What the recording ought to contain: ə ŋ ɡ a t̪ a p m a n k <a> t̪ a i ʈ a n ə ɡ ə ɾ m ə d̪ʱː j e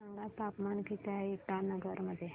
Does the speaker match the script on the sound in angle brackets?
no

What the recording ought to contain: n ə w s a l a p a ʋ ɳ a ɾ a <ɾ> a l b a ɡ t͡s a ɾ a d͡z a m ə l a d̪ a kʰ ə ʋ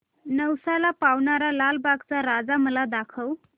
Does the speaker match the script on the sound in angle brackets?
no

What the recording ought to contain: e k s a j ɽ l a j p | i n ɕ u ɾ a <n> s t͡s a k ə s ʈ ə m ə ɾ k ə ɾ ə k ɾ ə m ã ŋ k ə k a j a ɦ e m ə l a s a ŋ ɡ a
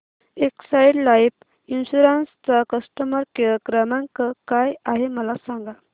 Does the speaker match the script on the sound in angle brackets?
yes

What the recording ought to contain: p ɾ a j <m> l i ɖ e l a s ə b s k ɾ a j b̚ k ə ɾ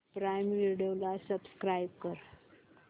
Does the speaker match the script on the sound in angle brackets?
yes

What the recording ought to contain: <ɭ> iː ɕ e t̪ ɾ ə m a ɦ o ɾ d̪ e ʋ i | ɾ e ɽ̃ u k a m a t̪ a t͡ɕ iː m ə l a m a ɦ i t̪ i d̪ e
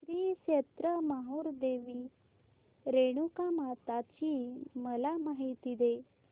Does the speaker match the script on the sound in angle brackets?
no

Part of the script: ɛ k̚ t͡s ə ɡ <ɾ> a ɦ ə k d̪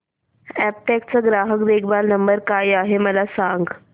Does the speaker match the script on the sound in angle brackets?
yes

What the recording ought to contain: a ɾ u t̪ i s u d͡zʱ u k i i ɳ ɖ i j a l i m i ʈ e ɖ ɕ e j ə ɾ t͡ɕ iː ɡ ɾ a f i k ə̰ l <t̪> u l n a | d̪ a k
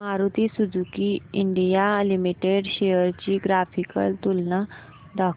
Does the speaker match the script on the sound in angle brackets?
yes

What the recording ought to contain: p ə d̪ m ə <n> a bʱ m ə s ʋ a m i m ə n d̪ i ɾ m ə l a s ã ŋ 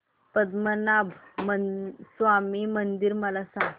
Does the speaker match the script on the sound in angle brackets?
yes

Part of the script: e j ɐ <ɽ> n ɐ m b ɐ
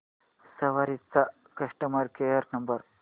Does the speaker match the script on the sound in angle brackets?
no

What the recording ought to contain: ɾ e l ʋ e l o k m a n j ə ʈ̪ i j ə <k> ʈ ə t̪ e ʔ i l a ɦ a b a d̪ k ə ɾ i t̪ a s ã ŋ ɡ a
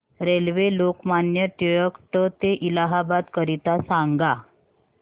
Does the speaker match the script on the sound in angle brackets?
yes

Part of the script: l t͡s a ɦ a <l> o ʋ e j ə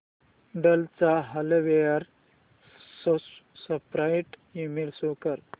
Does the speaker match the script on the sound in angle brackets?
yes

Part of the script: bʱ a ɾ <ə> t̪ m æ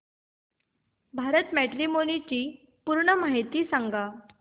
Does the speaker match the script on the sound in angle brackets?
yes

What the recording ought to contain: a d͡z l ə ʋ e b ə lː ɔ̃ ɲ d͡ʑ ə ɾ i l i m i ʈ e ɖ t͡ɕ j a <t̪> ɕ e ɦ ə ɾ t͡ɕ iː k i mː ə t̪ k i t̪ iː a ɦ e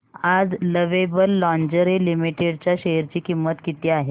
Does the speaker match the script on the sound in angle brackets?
no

